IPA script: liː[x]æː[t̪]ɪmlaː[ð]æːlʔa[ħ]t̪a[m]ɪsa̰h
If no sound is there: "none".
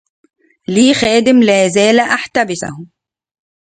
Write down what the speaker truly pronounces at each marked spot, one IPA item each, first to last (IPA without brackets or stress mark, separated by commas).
x, d̪, z, ħ, b